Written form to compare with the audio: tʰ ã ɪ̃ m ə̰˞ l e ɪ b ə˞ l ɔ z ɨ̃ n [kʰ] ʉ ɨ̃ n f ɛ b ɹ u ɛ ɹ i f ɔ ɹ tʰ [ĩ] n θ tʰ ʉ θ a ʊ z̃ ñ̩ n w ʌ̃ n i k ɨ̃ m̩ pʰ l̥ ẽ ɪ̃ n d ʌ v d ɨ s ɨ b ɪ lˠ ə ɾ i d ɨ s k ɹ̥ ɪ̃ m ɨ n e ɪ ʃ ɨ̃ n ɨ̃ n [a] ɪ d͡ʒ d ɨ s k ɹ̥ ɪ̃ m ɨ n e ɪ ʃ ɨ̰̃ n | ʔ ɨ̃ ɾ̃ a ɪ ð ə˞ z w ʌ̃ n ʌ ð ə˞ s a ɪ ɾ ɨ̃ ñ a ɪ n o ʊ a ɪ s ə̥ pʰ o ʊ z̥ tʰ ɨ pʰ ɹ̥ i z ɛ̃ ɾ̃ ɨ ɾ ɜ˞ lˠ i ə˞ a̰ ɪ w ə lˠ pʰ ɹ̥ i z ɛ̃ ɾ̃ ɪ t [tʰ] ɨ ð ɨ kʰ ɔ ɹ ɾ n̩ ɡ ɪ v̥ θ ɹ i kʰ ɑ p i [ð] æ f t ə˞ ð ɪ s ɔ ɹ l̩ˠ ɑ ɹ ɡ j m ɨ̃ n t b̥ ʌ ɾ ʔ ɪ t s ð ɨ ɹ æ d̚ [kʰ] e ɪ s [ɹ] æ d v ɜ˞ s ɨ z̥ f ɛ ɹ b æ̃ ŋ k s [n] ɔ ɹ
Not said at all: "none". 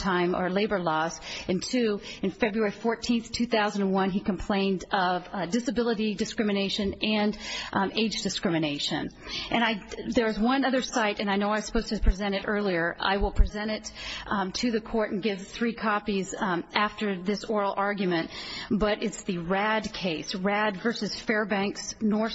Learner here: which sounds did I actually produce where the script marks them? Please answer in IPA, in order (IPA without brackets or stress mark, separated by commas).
tʰ, ĩ, e, tʰ, z, kʰ, ɹ, n